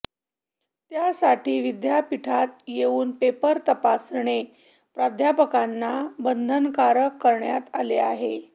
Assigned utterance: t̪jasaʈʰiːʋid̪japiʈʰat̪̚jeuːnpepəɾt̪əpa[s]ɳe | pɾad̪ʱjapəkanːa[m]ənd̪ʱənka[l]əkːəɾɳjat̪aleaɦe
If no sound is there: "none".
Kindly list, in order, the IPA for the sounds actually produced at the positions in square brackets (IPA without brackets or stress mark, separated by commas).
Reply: s, b, ɾ